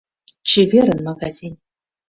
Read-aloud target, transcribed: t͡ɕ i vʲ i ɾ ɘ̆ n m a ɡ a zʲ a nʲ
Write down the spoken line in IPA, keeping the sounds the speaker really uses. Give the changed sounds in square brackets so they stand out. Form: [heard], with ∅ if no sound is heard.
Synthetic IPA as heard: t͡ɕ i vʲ [e] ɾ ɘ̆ n m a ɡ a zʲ [i] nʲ